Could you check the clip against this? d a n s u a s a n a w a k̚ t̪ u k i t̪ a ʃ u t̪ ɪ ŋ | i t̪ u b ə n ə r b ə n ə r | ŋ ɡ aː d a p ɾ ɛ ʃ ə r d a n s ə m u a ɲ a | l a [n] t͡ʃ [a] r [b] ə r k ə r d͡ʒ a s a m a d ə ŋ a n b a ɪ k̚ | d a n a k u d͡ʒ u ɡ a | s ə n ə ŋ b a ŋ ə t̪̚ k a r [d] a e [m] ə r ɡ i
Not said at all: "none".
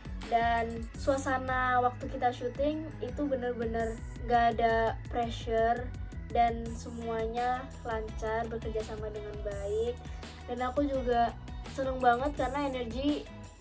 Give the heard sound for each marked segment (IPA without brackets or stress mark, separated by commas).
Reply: ɲ, a, b, n, n